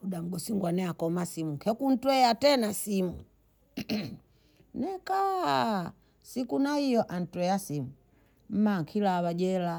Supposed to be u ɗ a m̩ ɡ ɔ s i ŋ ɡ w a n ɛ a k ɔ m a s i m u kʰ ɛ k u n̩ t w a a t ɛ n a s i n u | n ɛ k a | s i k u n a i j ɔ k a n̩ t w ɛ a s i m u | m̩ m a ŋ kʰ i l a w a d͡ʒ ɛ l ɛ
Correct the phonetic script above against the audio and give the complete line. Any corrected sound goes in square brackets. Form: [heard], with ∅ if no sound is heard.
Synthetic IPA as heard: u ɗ a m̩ ɡ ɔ s i ŋ ɡ w a n ɛ a k ɔ m a s i m u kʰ ɛ k u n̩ t w [ɛ] a t ɛ n a s i [m] u | n ɛ k a | s i k u n a i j ɔ [ʔ] a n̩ t w ɛ a s i m u | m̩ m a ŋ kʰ i l a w a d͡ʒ ɛ l [a]